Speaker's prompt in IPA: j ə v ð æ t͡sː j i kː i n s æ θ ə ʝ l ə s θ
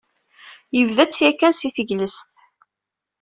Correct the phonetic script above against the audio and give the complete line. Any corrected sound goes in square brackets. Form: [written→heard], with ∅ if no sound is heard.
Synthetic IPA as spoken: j ə v ð æ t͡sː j [i→æ] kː [i→æ] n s [æ→i] θ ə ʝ l ə s θ